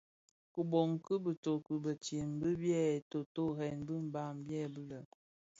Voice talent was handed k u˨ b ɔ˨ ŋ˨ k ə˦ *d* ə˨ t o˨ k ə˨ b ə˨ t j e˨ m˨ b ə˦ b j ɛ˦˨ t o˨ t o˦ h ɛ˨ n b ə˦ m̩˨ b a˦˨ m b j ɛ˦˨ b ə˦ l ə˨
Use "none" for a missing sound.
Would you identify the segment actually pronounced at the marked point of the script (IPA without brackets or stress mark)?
b